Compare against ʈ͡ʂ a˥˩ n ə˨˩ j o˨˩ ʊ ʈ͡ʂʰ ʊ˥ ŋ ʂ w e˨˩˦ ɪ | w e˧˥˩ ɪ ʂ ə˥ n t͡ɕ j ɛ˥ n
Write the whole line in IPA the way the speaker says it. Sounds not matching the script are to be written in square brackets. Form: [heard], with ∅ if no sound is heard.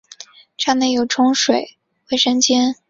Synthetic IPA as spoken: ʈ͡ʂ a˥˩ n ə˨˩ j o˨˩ ʊ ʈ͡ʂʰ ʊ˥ ŋ ʂ w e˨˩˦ ɪ | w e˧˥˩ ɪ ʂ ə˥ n t͡ɕ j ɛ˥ n